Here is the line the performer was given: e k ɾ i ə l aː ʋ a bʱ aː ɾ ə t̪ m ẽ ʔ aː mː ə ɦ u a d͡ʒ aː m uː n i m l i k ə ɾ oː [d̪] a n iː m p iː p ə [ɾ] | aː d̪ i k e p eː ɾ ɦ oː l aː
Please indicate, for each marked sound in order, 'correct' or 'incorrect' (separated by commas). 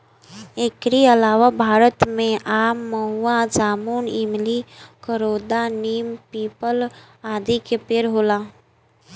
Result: correct, incorrect